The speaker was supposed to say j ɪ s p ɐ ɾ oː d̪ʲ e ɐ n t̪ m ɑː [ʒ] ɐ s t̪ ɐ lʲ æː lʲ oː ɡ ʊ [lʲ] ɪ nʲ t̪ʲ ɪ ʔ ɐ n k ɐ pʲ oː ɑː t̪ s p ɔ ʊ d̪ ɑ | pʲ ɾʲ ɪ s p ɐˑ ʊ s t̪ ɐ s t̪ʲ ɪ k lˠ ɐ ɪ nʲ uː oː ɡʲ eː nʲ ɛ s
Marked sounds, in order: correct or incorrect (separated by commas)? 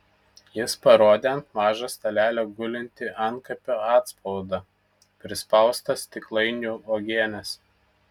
correct, correct